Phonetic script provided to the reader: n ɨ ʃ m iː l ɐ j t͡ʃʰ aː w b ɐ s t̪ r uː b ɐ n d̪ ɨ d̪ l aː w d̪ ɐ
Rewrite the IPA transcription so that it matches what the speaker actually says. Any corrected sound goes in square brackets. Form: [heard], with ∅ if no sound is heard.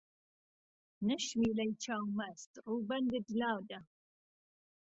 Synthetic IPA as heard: n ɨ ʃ m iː l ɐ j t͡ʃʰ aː w [m] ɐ s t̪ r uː b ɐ n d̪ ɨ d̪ l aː w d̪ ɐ